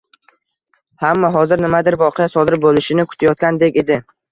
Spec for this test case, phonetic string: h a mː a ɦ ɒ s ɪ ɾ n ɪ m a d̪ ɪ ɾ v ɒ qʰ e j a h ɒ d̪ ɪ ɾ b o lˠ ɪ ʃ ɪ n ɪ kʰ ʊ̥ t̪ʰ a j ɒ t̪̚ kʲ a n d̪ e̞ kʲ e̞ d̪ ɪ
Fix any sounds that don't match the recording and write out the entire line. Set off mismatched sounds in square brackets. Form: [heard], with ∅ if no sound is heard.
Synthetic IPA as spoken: h a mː a ɦ ɒ [z] ɪ ɾ n ɪ m a d̪ ɪ ɾ v ɒ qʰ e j a [s] ɒ d̪ ɪ ɾ b o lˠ ɪ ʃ ɪ n ɪ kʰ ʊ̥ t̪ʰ a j ɒ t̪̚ kʲ a n d̪ e̞ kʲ e̞ d̪ ɪ